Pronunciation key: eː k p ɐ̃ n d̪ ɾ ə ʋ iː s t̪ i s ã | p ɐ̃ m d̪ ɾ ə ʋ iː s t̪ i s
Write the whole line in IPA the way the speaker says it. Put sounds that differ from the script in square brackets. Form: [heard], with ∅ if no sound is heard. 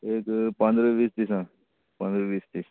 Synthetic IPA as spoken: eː k p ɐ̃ n d̪ ɾ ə ʋ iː s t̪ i s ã | p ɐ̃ [n] d̪ ɾ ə ʋ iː s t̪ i s